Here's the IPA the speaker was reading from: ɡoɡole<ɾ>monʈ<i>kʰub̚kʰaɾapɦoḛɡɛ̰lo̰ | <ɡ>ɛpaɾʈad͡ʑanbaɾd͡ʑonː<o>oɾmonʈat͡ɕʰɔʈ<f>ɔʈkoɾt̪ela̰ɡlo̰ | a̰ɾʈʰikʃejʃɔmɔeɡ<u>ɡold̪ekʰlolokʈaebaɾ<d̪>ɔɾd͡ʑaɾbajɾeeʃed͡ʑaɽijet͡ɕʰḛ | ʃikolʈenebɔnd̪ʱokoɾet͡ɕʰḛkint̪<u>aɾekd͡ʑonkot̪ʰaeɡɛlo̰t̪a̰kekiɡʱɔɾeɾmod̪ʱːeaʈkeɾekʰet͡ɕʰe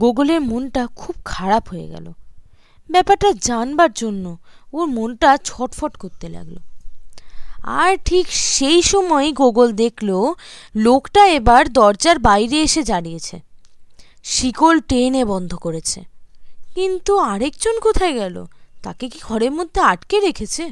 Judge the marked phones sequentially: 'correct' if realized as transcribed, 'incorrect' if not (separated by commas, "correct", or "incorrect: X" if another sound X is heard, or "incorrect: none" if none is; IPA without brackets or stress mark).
correct, incorrect: a, incorrect: b, correct, correct, incorrect: o, correct, correct